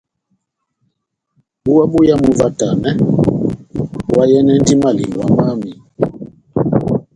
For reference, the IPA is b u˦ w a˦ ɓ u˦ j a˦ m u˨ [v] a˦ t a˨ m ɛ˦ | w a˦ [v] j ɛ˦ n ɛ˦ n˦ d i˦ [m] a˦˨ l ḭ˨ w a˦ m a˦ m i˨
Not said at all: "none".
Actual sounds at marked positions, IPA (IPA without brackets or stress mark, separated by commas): v, none, m